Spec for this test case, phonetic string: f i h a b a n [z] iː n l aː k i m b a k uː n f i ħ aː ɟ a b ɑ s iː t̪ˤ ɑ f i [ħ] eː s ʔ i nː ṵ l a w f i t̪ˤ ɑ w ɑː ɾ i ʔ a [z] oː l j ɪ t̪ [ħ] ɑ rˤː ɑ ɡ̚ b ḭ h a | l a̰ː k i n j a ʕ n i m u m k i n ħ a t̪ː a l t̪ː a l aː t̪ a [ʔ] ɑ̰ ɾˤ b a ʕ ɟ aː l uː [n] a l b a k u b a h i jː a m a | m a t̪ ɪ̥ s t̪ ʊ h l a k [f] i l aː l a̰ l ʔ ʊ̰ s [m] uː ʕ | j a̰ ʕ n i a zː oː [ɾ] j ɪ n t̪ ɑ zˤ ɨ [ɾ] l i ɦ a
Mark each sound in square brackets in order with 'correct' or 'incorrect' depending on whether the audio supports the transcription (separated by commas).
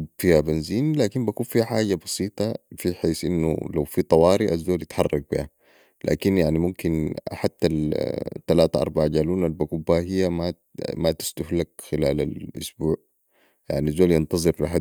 correct, correct, incorrect, correct, correct, correct, incorrect, incorrect, incorrect, correct